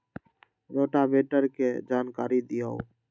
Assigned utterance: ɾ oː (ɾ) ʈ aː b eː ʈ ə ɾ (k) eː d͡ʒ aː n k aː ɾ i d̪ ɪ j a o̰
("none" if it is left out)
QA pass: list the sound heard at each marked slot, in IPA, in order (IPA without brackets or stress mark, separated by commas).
none, k